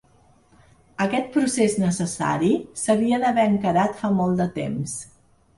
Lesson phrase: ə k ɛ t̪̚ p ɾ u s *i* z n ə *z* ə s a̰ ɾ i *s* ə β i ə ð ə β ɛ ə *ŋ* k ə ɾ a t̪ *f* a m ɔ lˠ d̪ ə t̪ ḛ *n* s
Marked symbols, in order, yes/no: no, no, yes, yes, yes, no

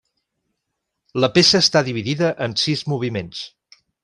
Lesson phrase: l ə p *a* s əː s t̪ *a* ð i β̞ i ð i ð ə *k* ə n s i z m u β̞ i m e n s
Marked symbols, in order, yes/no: no, yes, no

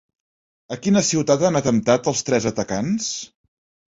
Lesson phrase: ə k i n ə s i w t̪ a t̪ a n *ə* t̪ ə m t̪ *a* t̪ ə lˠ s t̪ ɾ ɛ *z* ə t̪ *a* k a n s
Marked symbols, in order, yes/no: yes, yes, yes, no

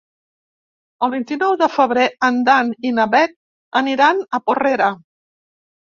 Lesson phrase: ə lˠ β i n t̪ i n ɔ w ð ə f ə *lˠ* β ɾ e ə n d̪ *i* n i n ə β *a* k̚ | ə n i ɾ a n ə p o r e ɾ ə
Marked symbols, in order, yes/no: no, no, no

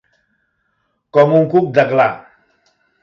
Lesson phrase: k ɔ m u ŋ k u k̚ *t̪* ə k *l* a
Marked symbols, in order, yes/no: no, yes

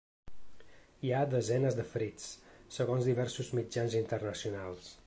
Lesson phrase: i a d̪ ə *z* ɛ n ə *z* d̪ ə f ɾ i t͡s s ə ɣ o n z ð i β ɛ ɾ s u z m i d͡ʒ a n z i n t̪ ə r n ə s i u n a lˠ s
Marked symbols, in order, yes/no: yes, yes

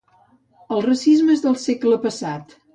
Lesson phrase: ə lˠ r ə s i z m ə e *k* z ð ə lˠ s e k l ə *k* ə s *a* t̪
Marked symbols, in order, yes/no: no, no, yes

